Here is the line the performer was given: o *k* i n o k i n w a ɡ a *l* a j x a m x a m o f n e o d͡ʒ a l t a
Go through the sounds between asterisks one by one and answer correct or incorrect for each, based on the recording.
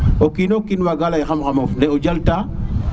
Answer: correct, correct

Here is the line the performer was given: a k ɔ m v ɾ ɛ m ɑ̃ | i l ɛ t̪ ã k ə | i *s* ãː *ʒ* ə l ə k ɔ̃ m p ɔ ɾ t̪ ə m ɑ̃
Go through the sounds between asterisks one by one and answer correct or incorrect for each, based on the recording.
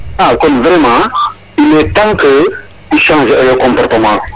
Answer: incorrect: ʃ, correct

